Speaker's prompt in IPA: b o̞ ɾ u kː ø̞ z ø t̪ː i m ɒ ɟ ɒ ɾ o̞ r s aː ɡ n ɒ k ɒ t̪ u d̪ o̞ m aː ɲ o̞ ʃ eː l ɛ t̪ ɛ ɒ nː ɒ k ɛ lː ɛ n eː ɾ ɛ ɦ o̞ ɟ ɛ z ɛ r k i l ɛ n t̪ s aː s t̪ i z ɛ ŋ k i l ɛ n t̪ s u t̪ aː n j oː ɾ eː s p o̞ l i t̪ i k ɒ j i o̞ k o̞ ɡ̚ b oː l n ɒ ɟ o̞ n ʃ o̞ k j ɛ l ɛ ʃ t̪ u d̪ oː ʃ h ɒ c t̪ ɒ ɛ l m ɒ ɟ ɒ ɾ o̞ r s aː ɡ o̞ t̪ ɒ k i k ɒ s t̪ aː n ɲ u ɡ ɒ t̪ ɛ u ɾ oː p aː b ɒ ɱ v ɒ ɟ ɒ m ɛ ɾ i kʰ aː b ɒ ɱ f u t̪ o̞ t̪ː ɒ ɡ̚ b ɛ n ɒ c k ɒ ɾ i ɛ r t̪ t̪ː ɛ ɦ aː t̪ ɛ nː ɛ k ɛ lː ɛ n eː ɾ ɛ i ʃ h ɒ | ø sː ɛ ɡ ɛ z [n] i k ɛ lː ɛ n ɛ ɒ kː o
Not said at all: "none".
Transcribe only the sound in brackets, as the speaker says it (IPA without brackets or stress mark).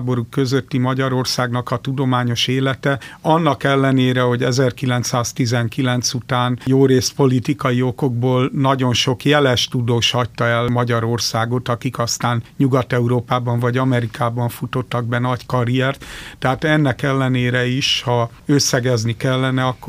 n